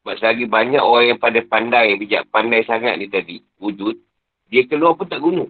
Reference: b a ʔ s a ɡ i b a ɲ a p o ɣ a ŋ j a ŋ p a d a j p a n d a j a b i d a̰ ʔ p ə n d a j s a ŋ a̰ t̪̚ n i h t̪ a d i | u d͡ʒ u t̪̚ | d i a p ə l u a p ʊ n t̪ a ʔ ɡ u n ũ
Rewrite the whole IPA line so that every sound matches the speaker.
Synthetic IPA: b a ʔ s a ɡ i b a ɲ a k o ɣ a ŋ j a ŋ p a d a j p a n d a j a b i d͡ʒ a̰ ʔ p a n d a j s a ŋ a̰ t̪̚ n i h t̪ a d i | u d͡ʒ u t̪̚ | d i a k ə l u a p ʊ n t̪ a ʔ ɡ u n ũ